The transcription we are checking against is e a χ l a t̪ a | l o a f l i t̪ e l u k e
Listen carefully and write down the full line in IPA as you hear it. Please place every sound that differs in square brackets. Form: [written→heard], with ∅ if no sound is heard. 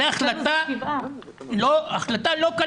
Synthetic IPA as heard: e a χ l a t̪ a | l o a [f→χ] l [i→a] t̪ [e→a] l [u→o] k [e→a]